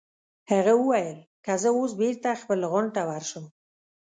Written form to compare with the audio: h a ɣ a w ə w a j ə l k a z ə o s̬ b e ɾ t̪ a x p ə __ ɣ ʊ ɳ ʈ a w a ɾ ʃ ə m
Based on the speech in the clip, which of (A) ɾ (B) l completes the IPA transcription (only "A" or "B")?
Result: B